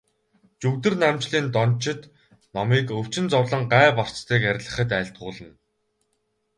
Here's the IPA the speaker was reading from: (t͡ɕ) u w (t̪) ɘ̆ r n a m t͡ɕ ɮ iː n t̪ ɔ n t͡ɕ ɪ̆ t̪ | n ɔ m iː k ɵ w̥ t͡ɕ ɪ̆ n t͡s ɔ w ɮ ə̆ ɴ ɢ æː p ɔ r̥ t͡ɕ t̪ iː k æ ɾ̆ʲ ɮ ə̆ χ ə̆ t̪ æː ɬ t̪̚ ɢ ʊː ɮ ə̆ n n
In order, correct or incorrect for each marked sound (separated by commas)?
correct, correct